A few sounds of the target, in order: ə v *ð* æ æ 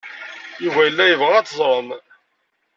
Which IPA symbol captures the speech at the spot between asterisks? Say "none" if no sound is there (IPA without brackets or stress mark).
ʁ